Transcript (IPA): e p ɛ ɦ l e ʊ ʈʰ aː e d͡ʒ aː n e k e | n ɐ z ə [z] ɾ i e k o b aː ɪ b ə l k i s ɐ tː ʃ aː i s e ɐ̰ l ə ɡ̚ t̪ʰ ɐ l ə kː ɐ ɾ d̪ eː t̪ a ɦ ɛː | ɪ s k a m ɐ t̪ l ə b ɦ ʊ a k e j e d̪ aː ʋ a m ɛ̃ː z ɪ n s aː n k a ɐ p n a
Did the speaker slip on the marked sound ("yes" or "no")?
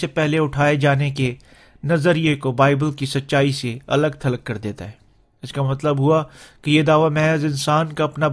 yes